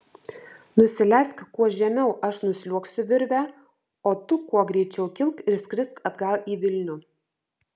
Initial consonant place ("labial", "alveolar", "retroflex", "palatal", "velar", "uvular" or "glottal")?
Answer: alveolar